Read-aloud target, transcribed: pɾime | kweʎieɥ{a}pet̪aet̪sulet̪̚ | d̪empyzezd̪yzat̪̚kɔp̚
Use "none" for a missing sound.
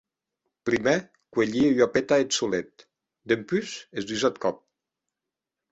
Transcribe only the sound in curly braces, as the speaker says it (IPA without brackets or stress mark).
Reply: a